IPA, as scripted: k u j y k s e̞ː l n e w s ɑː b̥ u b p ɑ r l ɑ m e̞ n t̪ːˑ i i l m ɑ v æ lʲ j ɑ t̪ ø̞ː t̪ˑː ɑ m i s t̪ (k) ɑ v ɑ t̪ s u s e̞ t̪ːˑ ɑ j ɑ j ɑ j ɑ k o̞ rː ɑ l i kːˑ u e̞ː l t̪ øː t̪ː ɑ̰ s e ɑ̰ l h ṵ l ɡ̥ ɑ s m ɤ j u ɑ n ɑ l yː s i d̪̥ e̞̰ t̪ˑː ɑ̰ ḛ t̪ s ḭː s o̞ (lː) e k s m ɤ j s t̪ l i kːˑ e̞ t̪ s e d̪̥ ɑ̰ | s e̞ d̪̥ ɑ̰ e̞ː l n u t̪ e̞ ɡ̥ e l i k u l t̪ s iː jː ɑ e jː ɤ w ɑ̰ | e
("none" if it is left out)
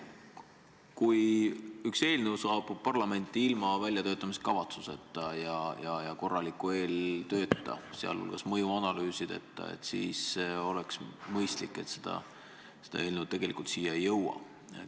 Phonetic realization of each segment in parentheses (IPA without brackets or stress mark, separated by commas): k, l